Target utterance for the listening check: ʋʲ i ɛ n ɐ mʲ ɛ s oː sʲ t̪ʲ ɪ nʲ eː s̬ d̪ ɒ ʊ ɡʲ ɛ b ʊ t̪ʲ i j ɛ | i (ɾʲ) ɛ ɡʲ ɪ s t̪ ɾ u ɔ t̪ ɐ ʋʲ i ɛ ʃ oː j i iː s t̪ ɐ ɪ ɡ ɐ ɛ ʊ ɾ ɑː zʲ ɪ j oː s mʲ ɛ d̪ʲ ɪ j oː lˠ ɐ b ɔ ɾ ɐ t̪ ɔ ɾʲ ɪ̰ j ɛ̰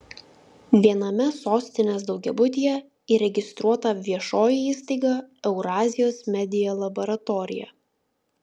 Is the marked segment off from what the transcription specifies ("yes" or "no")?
no